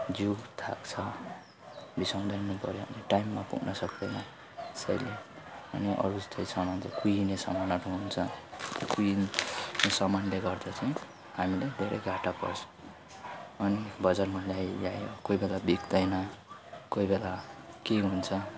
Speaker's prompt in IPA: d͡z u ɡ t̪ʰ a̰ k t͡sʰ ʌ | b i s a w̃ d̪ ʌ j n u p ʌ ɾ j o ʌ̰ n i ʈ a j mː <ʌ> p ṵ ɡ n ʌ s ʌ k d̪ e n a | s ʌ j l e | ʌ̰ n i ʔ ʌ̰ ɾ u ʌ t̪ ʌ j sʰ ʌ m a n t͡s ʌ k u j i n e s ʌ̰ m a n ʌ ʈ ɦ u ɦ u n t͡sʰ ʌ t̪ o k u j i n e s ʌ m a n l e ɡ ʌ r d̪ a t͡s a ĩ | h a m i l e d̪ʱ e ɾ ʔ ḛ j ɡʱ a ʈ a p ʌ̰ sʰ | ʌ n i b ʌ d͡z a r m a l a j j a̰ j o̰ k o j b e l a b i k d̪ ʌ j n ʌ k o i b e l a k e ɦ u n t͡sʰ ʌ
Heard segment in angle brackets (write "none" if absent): a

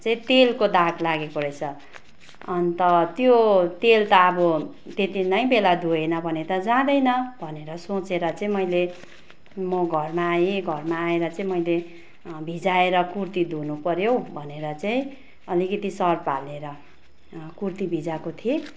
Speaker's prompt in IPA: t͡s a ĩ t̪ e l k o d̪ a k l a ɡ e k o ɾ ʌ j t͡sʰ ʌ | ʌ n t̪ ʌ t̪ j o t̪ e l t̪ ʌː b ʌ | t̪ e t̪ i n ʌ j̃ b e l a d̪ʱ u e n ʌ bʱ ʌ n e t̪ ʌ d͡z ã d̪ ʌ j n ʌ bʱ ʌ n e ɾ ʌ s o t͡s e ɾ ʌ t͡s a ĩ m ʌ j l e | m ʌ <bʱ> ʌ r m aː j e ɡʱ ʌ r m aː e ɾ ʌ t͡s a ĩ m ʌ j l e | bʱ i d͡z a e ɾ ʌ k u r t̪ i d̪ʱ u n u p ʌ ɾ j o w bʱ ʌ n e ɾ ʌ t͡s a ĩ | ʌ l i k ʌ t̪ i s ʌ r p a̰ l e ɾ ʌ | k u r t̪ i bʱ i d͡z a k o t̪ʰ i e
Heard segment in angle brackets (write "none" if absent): ɡʱ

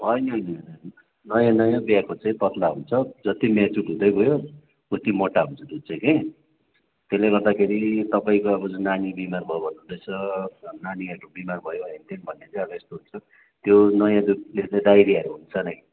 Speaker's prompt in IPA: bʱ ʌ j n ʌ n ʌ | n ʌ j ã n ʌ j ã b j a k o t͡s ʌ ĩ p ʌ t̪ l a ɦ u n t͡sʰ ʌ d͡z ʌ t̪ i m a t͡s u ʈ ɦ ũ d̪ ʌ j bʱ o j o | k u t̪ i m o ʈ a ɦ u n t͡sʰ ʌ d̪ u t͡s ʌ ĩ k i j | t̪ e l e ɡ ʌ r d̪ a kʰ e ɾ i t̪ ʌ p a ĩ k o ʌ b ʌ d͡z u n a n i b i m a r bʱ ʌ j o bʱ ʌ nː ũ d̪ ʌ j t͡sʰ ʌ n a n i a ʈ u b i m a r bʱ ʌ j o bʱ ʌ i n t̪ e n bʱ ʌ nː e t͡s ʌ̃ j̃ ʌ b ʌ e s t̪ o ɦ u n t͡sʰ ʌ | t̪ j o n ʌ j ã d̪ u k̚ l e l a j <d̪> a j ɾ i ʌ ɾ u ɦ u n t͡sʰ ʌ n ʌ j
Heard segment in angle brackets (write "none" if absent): d̪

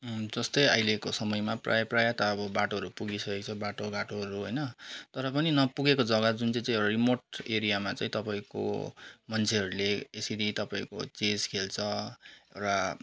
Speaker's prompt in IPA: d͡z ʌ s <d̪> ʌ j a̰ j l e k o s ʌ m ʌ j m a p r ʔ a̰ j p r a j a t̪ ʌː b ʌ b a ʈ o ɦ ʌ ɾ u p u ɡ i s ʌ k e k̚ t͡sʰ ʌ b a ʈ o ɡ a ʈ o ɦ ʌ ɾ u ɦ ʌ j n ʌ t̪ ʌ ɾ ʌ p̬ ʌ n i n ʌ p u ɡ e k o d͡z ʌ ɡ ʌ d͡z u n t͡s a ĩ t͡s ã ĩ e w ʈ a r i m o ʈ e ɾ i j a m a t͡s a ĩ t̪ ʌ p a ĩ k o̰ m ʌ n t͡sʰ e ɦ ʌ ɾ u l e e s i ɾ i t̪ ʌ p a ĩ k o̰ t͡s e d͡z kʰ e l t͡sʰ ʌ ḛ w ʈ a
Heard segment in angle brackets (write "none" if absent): t̪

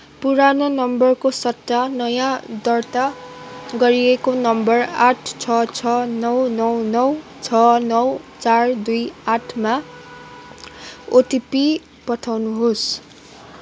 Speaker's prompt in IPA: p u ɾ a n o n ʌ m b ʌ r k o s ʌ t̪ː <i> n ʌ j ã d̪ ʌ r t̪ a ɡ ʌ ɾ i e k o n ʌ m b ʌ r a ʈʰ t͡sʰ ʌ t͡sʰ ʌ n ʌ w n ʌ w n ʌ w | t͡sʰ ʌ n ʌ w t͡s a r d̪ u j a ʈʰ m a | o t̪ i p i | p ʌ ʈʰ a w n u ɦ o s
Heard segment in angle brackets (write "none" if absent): a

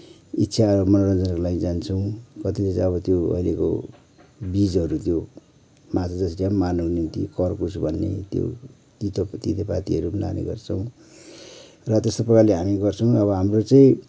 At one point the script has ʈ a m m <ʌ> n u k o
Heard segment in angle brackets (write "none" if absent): a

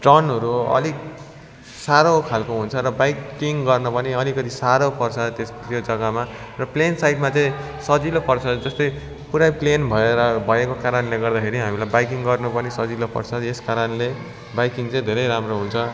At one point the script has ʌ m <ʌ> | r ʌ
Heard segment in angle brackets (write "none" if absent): a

